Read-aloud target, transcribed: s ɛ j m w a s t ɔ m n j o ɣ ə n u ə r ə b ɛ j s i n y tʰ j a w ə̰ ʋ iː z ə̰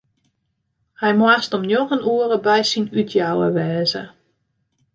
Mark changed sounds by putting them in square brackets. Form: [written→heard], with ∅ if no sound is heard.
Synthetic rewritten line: [s→h] ɛ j m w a s t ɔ m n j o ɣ ə n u ə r ə b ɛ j s i n y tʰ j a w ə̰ ʋ [iː→ɛː] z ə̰